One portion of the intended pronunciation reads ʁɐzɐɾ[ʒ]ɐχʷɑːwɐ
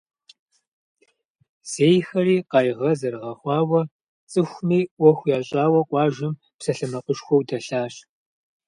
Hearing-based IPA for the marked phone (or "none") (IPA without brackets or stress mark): ʁ